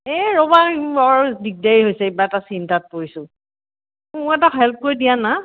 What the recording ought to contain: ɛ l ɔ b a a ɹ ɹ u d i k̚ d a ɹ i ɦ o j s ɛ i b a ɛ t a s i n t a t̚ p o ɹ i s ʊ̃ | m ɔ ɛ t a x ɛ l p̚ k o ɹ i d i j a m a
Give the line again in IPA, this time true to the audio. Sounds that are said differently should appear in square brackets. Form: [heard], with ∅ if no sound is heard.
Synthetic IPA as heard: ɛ [ɹ] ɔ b a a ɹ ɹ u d i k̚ d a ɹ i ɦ o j s ɛ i b a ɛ t a s i n t a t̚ p o ɹ i s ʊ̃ | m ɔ ɛ t a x ɛ l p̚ k o ɹ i d i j a [n] a